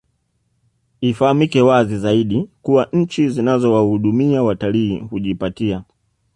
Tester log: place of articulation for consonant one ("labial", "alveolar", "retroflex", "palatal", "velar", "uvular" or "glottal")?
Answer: labial